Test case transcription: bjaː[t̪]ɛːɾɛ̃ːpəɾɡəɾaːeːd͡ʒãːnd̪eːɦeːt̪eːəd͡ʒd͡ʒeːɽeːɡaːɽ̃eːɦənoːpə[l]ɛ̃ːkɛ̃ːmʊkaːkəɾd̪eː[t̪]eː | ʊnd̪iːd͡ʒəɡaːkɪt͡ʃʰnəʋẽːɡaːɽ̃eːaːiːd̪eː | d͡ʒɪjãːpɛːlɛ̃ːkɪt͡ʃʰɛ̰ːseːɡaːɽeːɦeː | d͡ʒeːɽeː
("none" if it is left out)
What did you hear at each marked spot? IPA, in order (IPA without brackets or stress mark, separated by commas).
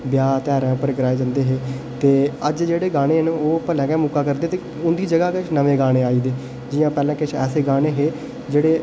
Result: t̪, l, t̪